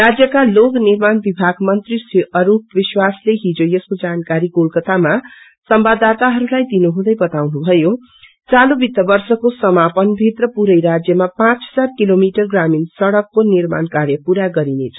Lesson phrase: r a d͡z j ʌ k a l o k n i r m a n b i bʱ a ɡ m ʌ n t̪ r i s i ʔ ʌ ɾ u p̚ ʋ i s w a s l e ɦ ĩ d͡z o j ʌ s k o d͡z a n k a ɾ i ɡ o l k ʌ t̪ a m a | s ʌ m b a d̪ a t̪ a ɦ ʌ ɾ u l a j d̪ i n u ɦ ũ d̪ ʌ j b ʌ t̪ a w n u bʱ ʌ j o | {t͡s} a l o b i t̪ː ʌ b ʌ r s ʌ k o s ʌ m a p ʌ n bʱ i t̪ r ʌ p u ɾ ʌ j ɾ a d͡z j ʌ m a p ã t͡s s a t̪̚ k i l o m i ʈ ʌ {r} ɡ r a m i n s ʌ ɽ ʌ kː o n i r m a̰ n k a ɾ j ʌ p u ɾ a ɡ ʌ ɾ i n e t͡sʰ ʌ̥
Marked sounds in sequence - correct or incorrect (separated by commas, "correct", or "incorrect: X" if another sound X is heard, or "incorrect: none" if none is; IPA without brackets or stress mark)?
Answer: correct, correct